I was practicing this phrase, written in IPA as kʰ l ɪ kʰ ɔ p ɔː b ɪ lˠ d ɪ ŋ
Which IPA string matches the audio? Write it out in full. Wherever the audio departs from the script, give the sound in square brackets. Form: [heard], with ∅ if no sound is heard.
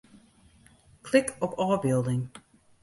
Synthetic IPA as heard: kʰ l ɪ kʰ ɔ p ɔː b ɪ lˠ d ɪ ŋ